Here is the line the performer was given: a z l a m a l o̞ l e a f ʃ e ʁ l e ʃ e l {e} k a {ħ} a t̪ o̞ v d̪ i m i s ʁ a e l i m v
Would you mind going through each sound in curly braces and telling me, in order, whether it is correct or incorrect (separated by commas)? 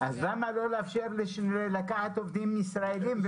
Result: incorrect, correct